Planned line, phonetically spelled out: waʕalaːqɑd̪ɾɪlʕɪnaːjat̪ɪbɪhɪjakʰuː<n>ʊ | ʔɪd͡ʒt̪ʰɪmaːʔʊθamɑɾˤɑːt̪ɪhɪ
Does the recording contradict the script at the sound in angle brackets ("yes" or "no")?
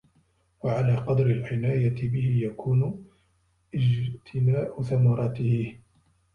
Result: no